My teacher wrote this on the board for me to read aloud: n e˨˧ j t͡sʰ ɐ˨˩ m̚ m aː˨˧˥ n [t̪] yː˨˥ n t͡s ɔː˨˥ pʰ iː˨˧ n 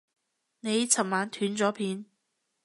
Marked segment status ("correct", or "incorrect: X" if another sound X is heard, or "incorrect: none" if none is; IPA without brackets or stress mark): incorrect: t̪ʰ